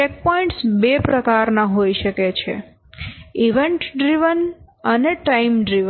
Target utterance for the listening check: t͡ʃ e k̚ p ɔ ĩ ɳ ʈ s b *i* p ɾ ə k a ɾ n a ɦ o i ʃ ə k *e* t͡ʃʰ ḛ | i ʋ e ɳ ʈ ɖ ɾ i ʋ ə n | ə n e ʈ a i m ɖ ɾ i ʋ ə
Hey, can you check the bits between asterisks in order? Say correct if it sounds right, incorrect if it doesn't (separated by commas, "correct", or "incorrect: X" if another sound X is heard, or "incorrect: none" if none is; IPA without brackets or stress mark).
incorrect: e, correct